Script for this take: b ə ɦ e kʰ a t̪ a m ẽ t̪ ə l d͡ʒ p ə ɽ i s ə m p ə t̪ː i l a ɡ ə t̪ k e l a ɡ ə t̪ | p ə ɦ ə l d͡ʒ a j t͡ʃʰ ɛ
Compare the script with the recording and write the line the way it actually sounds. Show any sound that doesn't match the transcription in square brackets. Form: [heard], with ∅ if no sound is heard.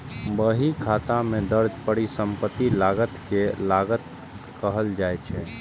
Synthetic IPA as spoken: b ə ɦ [i] kʰ a t̪ a m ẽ [d̪] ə [ɾ] d͡ʒ p ə ɽ i s ə m p ə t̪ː i l a ɡ ə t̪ k e l a ɡ ə t̪ | [k] ə ɦ ə l d͡ʒ a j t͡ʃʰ ɛ